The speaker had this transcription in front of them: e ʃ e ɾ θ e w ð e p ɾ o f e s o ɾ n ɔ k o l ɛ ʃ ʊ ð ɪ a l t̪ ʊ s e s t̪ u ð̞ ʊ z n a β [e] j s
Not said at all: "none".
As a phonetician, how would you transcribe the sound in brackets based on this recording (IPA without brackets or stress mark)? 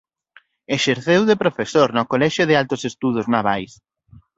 a